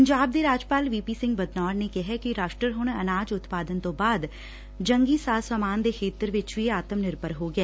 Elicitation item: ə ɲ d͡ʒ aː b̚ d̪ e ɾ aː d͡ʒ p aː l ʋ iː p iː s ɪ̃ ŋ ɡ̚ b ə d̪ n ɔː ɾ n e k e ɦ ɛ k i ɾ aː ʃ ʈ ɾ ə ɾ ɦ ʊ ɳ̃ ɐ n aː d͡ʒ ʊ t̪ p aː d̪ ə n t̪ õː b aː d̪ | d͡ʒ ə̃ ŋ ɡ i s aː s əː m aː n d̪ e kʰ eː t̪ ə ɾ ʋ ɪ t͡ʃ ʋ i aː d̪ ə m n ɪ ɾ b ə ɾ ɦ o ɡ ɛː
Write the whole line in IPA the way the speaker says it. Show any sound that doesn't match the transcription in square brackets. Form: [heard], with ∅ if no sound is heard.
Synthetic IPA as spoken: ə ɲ d͡ʒ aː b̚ d̪ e ɾ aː d͡ʒ p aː l ʋ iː p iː s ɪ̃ ŋ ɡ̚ b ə d̪ n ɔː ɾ n e k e ɦ ɛ k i ɾ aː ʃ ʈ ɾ ə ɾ ɦ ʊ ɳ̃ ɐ n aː d͡ʒ ʊ t̪ p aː d̪ ə n t̪ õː b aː d̪ | d͡ʒ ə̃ ŋ ɡ i s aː s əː m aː n d̪ e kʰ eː t̪ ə ɾ ʋ ɪ t͡ʃ ʋ i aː [t̪] ə m n ɪ ɾ b ə ɾ ɦ o ɡ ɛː